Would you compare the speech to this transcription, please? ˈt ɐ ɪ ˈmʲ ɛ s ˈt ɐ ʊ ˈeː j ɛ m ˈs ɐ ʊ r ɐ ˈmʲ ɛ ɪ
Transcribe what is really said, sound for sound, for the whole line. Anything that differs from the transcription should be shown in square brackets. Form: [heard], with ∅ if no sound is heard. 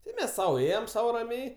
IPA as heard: ˈt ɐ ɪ ˈmʲ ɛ s [ˈs] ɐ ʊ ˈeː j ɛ m ˈs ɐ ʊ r ɐ ˈmʲ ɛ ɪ